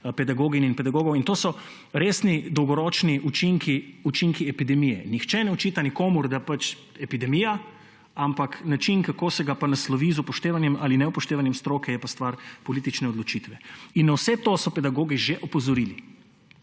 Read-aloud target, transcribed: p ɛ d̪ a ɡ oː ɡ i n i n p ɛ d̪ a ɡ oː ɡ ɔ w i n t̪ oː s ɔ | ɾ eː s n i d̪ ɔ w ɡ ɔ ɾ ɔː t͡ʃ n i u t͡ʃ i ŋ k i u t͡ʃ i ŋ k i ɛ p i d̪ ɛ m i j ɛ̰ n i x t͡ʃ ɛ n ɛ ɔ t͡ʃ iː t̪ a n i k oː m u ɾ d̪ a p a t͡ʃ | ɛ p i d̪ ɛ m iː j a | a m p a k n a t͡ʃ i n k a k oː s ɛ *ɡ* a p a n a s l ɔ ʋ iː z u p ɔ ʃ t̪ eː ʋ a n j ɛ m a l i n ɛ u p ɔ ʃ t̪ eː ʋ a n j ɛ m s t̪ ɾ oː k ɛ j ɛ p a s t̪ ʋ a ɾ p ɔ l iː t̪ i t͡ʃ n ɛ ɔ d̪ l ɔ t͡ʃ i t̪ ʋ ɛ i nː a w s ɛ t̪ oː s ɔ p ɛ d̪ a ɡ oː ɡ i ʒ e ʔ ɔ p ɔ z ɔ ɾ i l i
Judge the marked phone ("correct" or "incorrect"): correct